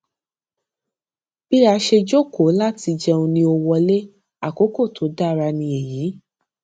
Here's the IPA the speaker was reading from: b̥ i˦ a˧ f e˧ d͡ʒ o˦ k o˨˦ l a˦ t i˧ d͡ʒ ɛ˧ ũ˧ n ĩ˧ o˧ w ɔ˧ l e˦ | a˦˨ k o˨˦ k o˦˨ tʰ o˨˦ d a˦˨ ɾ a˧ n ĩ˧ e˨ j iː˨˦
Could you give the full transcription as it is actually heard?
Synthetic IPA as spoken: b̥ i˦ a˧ ʃ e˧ d͡ʒ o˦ k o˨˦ l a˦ t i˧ d͡ʒ ɛ˧ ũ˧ n ĩ˧ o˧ w ɔ˧ l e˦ | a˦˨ k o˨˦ k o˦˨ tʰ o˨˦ d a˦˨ ɾ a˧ n ĩ˧ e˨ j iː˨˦